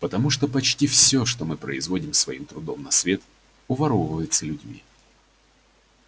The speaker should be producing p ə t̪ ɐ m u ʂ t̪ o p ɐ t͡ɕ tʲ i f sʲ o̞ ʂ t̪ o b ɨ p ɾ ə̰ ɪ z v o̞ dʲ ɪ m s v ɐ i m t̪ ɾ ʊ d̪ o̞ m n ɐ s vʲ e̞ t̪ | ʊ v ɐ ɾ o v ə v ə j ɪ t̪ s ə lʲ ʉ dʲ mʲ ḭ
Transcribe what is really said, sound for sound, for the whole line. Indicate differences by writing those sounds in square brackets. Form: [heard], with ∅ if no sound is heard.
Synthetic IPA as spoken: p ə t̪ ɐ m u ʂ t̪ o p ɐ t͡ɕ tʲ i f sʲ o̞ ʂ t̪ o [m] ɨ p ɾ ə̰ ɪ z v o̞ dʲ ɪ m s v ɐ i m t̪ ɾ ʊ d̪ o̞ m n ɐ s vʲ e̞ t̪ | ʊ v ɐ ɾ o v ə v ə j ɪ t̪ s ə lʲ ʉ dʲ mʲ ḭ